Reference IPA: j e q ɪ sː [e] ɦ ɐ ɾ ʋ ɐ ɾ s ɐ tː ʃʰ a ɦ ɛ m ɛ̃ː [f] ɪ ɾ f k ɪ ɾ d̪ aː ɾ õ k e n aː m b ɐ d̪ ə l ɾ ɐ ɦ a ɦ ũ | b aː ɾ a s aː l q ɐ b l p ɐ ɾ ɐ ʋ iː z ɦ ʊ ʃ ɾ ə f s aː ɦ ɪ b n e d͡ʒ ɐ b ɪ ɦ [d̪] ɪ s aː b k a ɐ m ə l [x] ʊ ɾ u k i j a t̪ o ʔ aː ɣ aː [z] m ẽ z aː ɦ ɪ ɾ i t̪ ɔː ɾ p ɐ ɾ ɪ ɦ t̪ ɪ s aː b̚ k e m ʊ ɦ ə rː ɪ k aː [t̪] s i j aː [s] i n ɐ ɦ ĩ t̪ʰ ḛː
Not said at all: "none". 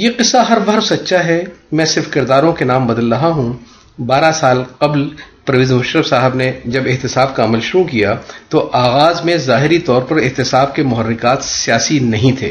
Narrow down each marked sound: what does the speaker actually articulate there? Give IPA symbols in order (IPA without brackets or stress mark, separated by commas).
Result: a, s, t̪, ʃ, z, t̪, s